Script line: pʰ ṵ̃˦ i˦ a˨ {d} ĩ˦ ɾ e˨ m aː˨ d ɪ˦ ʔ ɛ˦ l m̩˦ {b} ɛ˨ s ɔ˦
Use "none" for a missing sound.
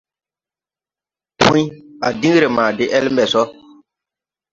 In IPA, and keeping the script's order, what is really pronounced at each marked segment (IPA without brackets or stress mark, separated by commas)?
d, b